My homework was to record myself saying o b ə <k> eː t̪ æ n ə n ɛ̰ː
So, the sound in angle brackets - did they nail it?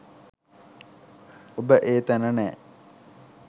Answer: no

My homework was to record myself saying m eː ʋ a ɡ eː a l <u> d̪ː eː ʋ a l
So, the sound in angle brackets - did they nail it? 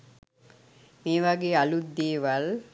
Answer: yes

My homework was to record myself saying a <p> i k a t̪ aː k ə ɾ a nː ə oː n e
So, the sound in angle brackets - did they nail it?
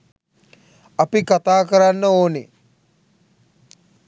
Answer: yes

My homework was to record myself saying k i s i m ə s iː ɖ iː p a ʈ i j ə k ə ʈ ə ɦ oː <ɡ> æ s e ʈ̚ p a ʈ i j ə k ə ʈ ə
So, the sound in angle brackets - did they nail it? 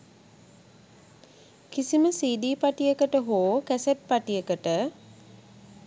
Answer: no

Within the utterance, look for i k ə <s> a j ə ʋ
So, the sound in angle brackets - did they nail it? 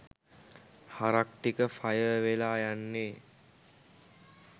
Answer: no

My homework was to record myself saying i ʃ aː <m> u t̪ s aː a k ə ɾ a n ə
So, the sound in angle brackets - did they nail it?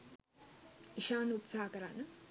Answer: no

